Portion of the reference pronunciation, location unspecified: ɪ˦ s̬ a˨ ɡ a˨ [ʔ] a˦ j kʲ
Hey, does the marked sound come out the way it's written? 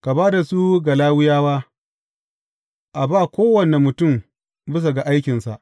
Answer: yes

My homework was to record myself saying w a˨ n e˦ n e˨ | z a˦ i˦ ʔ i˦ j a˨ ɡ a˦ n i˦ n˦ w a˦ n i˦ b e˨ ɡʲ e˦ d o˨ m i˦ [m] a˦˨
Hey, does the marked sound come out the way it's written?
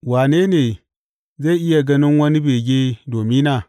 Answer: no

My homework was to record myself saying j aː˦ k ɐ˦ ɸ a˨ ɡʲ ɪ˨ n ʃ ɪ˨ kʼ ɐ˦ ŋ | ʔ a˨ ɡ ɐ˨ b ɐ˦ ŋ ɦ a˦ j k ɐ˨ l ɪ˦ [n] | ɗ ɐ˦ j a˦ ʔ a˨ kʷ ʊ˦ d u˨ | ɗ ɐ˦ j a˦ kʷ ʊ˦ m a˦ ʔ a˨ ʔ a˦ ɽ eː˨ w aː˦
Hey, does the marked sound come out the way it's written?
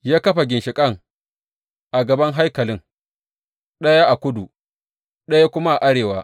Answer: no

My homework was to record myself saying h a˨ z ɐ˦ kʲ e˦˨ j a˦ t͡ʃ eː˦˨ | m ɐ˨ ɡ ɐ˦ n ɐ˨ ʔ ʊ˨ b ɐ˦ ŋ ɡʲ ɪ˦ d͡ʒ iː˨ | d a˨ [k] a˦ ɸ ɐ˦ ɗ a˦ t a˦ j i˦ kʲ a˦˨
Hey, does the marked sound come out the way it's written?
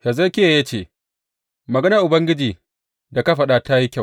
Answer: yes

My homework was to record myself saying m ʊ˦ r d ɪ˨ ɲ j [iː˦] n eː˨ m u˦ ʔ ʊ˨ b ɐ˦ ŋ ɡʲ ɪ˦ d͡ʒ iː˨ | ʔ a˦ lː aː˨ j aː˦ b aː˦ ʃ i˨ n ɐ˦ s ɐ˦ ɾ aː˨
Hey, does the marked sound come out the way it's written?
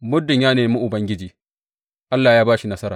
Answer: no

